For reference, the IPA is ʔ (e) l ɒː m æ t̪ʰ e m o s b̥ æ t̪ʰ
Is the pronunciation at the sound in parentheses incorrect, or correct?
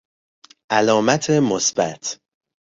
incorrect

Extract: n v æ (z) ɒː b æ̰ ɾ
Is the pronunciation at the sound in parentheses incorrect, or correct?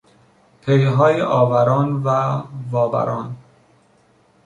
incorrect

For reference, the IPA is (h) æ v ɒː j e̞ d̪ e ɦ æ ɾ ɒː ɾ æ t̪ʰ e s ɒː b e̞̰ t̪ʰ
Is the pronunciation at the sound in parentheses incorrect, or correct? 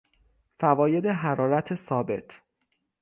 incorrect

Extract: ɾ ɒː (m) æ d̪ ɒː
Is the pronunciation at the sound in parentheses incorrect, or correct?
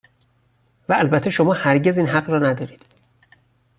incorrect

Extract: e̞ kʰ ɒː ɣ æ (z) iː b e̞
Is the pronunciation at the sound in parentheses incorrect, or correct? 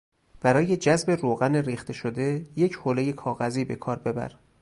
correct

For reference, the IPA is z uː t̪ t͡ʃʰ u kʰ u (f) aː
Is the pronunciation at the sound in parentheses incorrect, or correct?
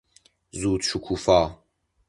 correct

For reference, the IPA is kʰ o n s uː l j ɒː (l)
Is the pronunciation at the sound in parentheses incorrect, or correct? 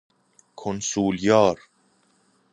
incorrect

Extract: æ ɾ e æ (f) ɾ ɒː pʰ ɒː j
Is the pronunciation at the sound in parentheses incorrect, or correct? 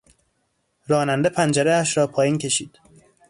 incorrect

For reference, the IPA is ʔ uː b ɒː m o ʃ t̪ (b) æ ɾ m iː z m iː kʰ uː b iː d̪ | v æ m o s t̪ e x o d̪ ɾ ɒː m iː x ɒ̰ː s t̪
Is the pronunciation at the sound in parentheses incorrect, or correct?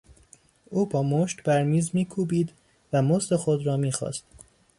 correct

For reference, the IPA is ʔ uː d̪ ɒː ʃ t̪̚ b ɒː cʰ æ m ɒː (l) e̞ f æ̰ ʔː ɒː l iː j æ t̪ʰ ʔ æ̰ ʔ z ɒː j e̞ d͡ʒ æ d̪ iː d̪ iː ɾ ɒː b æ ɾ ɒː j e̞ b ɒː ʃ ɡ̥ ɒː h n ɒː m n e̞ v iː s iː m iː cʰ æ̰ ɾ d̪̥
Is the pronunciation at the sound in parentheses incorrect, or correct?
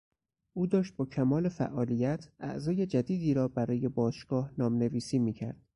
correct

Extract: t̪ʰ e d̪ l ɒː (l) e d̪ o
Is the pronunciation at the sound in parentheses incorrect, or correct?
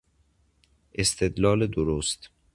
correct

